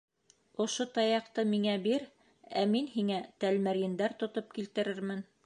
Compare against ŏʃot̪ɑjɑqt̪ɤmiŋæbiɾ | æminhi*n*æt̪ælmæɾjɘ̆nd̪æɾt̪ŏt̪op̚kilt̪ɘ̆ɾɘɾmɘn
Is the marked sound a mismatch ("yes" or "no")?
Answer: yes